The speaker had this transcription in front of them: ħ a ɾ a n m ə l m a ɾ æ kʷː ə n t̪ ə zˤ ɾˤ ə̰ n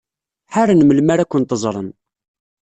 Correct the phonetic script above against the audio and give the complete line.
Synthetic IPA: ħ a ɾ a n m ə l m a ɾ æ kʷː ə n t̪ ə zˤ ɾˤ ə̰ n